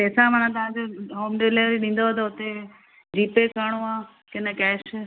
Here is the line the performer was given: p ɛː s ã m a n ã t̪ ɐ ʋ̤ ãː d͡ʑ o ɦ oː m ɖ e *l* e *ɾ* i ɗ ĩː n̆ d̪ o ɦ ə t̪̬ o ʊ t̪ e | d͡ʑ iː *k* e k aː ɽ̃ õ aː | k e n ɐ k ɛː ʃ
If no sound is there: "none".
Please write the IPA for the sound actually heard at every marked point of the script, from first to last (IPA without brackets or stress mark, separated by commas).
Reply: l, ɾ, p